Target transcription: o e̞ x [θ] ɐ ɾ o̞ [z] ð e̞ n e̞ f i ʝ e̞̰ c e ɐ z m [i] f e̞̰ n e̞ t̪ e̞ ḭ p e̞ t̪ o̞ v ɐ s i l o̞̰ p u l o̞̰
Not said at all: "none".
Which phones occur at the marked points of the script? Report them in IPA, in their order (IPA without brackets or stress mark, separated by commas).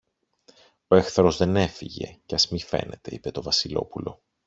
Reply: θ, z, i